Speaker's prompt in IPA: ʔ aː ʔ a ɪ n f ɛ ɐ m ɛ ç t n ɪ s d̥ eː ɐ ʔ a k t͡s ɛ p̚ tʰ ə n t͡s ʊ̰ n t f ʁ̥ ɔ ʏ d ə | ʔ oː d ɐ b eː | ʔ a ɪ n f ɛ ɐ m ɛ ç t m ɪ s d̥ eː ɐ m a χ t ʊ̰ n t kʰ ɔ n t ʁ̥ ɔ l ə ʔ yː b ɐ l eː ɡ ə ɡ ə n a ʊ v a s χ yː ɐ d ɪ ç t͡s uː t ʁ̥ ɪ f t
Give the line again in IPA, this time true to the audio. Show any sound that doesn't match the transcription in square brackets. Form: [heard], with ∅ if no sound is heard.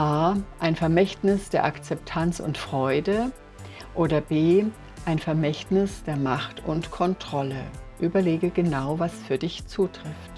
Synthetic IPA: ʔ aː ʔ a ɪ n f ɛ ɐ m ɛ ç t n ɪ s d̥ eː ɐ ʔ a k t͡s ɛ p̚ tʰ [a] n t͡s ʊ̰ n t f ʁ̥ ɔ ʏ d ə | ʔ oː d ɐ b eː | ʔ a ɪ n f ɛ ɐ m ɛ ç t [n] ɪ s d̥ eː ɐ m a χ t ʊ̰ n t kʰ ɔ n t ʁ̥ ɔ l ə ʔ yː b ɐ l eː ɡ ə ɡ ə n a ʊ v a s [f] yː ɐ d ɪ ç t͡s uː t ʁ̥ ɪ f t